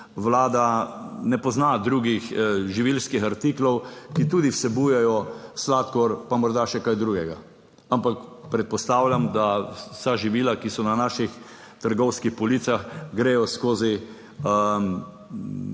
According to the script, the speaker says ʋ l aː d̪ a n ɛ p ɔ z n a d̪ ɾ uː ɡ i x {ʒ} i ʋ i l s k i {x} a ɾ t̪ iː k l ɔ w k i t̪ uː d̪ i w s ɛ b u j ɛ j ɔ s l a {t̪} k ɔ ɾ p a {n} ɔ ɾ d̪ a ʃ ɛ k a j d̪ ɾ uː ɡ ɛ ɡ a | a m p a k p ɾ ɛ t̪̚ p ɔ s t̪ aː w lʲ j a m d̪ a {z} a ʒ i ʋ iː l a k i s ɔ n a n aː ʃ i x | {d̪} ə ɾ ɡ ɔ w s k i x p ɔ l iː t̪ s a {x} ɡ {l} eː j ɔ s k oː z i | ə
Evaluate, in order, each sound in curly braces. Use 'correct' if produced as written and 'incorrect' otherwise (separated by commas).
correct, correct, correct, incorrect, incorrect, incorrect, correct, incorrect